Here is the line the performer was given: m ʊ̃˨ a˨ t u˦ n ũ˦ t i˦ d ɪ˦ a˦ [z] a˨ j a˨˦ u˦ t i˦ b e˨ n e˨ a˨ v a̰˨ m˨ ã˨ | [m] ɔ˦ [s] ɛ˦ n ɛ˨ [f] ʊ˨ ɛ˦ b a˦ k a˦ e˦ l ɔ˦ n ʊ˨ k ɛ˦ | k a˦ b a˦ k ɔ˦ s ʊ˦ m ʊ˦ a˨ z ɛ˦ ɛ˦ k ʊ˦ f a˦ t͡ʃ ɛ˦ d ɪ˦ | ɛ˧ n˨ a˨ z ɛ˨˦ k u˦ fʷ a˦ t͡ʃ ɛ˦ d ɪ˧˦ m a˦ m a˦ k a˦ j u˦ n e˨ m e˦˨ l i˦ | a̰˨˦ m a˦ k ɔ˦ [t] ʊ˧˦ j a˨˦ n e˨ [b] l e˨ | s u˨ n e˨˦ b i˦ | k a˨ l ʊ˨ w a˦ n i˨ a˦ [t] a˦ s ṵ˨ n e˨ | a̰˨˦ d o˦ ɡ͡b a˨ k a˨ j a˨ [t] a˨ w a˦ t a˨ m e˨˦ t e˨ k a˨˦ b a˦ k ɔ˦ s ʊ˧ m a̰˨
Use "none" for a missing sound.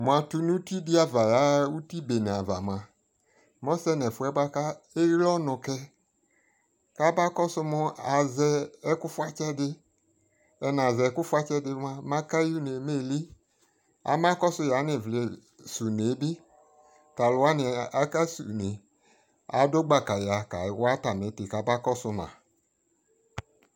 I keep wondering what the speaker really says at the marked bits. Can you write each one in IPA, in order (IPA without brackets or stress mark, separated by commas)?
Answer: v, m, s, f, s, v, k, k